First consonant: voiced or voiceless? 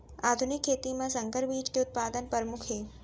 voiced